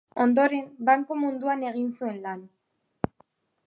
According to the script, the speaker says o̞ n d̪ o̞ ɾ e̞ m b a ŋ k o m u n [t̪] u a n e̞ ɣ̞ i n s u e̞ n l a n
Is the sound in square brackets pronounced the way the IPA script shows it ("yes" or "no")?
no